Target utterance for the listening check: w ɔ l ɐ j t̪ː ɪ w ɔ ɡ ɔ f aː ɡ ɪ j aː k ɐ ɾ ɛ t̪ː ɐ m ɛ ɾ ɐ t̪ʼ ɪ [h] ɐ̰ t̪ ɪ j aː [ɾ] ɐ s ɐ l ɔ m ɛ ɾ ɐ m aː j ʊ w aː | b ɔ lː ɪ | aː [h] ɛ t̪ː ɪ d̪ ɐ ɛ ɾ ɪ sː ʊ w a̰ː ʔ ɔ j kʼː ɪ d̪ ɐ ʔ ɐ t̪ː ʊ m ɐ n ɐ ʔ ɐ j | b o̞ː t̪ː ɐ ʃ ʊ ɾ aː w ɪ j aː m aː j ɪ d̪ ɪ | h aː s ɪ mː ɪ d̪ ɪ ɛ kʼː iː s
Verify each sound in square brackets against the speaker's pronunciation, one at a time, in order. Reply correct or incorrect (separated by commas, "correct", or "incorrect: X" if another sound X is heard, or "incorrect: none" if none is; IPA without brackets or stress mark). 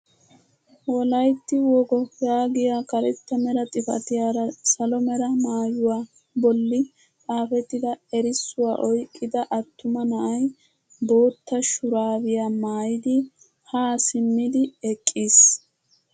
incorrect: f, correct, incorrect: f